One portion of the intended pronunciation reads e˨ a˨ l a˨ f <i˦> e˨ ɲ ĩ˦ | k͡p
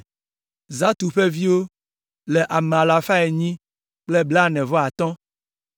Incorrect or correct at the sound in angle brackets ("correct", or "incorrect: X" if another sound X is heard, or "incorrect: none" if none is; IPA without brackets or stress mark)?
incorrect: a˦